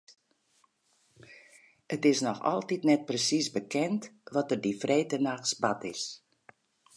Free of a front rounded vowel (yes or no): yes